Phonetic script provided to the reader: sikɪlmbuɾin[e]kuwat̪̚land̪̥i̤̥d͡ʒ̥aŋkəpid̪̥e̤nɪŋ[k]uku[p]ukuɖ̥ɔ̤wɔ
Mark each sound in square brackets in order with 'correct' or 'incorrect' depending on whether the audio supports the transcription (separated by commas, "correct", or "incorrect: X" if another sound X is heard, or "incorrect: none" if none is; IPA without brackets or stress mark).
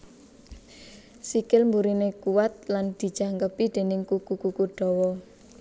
correct, correct, incorrect: k